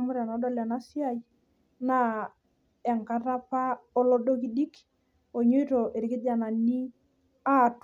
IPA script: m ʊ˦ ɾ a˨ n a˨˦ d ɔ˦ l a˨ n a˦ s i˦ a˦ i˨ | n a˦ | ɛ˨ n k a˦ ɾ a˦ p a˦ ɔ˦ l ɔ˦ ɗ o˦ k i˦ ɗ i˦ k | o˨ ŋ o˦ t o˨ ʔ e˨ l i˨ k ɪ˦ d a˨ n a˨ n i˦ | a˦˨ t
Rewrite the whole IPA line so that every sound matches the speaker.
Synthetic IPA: m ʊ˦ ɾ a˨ n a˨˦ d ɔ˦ l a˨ n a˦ s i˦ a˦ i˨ | n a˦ | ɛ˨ ŋ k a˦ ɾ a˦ p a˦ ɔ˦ l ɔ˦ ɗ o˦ k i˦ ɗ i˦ k | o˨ ɲ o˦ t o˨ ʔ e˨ ɾ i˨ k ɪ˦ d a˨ n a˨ n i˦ | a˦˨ t